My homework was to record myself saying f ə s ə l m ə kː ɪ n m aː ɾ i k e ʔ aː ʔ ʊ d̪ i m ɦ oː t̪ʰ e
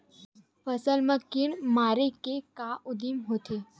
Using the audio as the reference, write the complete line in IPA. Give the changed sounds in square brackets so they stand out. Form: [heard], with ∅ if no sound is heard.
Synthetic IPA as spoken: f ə s ə l m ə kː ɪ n m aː ɾ [e] k e [k] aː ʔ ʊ d̪ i m ɦ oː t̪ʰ e